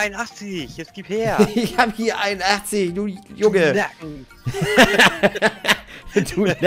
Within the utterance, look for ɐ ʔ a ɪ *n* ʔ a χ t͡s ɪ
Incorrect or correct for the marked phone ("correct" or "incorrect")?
correct